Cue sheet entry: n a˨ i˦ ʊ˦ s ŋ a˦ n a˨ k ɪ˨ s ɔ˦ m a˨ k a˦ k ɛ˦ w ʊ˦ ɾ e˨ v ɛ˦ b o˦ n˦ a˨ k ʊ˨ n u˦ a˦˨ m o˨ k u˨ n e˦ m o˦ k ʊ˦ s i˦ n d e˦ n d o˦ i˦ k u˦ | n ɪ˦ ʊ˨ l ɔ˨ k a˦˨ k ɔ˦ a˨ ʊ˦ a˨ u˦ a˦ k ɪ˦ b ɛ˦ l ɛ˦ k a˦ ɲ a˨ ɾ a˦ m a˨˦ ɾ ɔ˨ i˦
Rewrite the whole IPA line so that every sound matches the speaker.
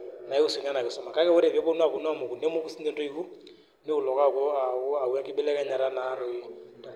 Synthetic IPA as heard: n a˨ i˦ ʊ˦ s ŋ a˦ n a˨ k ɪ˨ s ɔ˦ m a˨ k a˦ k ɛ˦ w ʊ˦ ɾ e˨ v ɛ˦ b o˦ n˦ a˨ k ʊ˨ n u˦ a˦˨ m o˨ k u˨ n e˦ m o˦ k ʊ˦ s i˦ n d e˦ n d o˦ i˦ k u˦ | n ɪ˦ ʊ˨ l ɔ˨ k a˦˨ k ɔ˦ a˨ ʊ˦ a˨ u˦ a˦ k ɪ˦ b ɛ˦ l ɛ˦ k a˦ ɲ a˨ ɾ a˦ n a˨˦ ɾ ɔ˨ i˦